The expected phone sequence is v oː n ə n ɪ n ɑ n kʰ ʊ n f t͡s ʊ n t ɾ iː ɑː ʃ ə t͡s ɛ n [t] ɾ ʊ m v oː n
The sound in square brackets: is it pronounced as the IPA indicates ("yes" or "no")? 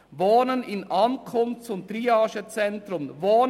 yes